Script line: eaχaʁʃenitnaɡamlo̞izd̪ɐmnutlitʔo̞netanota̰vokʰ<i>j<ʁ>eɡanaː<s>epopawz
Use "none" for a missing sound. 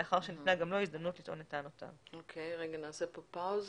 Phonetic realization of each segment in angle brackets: e, ʁ, s

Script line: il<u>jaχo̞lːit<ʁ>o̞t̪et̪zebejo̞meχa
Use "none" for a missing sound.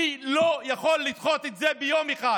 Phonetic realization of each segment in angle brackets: o, χ

